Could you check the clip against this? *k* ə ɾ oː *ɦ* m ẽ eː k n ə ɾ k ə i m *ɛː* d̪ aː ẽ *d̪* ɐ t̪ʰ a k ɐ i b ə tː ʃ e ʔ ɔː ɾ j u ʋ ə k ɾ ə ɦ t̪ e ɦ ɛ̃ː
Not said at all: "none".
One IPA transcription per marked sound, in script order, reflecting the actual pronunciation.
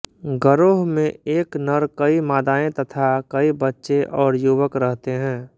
ɡ, ɦ, aː, t̪

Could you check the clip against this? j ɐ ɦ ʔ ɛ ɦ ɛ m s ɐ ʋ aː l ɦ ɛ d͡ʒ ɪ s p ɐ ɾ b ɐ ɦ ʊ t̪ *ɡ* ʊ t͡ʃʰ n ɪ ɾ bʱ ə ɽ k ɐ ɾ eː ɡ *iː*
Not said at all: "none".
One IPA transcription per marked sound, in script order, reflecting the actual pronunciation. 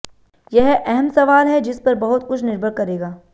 k, aː

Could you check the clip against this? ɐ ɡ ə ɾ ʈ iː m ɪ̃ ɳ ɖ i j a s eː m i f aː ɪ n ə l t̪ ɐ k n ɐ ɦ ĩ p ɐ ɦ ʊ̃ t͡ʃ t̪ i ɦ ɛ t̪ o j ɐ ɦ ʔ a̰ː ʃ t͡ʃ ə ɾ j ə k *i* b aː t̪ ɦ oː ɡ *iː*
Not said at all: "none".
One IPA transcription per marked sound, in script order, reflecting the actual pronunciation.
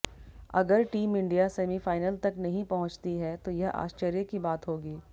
i, iː

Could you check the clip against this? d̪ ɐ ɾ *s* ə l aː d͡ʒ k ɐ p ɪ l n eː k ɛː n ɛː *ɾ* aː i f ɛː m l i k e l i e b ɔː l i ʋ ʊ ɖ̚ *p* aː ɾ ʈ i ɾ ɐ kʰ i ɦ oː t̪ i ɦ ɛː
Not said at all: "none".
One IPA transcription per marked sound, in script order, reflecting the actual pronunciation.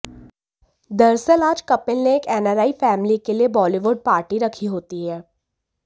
s, ɾ, p

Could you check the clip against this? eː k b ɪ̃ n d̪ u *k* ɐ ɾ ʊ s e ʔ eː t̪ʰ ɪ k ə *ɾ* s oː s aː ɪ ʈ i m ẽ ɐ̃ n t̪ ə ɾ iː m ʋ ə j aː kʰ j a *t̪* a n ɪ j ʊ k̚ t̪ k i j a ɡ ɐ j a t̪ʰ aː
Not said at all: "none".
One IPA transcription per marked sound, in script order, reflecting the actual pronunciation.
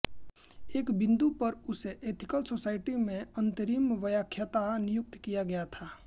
p, l, t̪

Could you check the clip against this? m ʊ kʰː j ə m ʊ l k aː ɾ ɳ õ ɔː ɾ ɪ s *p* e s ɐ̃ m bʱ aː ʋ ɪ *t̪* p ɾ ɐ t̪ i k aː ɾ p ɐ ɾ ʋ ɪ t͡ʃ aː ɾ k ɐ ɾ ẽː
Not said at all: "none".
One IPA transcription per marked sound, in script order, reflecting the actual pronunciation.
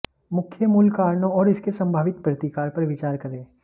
k, t̪

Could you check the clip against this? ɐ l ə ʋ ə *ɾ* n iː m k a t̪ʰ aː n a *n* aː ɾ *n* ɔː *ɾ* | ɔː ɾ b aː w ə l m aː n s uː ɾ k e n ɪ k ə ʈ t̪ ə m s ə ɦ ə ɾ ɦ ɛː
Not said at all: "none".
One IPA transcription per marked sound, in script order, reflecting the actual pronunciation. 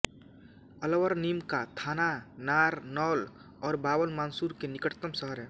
ɾ, n, n, l

